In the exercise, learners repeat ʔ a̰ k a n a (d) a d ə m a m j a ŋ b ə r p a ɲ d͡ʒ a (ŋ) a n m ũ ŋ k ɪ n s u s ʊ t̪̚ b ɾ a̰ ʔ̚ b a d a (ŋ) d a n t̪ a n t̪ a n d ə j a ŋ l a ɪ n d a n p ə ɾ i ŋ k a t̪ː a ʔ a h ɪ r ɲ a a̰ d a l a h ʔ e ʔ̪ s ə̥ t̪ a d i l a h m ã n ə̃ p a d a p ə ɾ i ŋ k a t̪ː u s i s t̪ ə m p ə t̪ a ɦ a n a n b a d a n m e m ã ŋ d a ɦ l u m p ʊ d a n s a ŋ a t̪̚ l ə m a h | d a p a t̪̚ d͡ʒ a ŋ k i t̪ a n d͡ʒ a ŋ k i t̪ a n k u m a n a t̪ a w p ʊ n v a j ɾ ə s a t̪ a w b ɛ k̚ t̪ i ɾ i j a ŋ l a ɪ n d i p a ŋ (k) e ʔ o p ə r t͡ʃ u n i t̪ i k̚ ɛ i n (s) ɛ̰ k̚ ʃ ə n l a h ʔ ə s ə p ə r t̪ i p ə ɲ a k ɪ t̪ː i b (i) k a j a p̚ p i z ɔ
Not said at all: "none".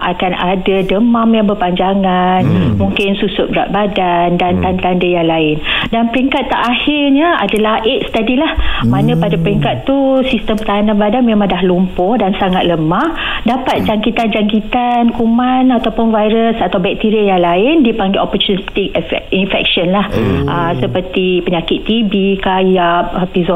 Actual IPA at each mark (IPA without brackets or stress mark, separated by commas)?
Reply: d, ŋ, n, ɡ, f, i